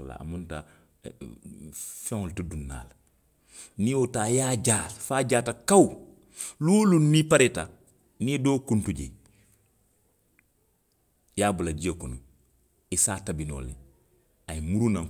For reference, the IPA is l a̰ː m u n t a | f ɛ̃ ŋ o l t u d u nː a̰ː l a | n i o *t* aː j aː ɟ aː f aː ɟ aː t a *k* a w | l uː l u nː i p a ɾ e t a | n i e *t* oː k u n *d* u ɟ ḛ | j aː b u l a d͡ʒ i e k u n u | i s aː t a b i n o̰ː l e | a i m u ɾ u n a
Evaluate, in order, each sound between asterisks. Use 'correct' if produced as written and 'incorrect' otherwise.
correct, correct, incorrect: d, incorrect: t

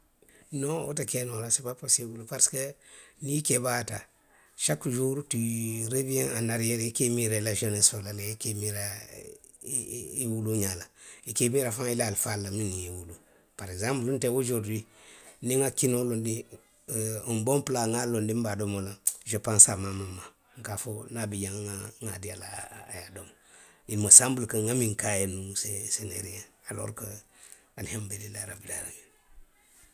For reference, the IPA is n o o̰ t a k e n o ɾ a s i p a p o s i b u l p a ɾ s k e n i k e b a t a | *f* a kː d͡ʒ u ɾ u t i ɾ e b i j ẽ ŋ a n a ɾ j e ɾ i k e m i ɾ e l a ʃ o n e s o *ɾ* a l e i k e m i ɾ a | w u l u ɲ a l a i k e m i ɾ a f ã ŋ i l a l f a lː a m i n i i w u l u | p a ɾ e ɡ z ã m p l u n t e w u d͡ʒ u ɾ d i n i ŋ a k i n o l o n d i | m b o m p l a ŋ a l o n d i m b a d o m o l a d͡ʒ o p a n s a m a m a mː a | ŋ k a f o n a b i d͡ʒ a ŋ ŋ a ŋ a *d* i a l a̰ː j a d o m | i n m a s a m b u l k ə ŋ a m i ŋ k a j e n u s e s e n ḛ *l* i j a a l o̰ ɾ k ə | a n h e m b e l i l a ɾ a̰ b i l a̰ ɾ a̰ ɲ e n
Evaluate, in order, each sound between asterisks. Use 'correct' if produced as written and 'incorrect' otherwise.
incorrect: ʃ, incorrect: l, correct, incorrect: ɾ

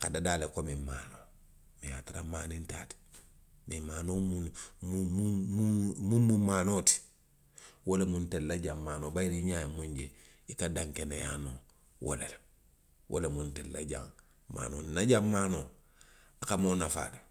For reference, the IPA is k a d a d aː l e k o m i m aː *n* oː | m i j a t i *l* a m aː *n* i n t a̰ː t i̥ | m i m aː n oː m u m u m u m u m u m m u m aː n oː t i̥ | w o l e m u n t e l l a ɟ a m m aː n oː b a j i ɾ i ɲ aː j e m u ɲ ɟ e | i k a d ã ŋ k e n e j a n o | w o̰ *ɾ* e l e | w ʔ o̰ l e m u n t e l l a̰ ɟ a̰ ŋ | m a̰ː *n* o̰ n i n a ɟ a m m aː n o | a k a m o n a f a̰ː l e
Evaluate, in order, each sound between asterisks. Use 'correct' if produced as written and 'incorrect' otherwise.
correct, incorrect: ɾ, correct, incorrect: l, correct

